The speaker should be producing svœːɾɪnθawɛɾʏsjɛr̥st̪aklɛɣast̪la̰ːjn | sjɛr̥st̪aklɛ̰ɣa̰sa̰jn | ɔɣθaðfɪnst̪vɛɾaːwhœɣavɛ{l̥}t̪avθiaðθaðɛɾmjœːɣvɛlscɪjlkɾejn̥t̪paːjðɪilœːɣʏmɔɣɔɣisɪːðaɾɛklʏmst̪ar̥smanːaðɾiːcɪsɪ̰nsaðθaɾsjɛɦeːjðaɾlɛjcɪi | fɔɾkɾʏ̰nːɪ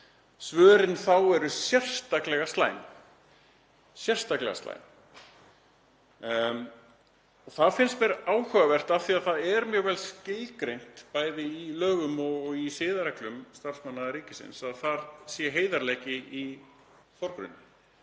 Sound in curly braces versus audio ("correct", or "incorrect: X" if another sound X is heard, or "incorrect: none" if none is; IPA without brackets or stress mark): incorrect: r̥